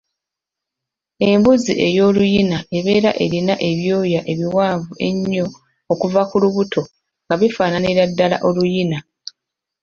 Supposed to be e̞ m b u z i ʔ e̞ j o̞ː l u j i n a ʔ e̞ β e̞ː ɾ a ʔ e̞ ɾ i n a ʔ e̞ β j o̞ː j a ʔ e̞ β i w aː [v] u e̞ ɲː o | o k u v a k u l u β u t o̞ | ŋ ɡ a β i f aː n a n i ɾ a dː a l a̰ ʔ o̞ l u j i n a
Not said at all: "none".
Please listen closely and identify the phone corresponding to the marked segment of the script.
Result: v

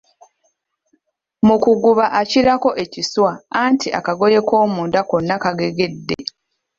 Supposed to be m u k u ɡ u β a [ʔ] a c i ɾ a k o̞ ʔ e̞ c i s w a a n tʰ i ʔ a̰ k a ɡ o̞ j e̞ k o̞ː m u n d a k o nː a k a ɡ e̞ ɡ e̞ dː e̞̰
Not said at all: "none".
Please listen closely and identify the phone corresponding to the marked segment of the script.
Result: ʔ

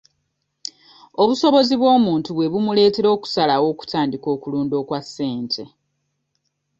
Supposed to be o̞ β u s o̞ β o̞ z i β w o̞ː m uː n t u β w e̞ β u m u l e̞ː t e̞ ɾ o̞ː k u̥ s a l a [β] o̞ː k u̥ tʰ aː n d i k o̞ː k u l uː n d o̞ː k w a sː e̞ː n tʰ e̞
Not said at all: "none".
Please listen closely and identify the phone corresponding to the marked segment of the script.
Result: w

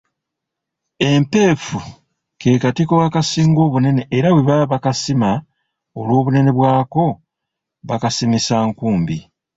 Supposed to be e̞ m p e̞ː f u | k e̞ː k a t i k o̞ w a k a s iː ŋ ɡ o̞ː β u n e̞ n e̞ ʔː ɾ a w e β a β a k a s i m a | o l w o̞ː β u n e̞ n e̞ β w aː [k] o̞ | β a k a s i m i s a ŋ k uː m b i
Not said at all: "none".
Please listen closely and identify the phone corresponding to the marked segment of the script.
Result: k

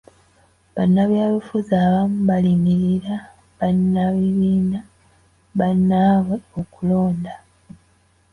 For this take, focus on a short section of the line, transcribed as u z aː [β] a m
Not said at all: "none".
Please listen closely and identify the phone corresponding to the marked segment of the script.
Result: β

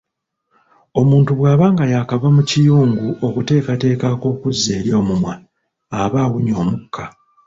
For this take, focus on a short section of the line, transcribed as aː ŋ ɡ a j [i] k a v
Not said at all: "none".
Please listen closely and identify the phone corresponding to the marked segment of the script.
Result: a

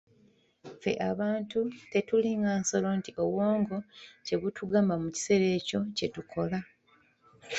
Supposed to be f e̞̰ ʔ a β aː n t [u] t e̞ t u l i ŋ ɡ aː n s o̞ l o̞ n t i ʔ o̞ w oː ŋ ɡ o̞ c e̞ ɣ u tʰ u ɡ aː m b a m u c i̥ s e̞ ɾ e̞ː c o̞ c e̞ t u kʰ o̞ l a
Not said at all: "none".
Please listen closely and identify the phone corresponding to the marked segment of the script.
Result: u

